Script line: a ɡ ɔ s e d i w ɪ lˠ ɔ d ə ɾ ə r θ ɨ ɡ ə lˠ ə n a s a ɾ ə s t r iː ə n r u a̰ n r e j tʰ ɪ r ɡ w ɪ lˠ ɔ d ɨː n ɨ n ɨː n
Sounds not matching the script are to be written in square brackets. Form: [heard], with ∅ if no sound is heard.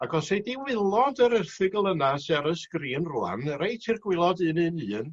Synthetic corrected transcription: a ɡ ɔ s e d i w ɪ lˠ ɔ d ə ɾ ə r θ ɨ ɡ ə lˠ ə n a s a ɾ ə s [k] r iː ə n r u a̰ n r e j tʰ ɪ r ɡ w ɪ lˠ ɔ d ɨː n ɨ n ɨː n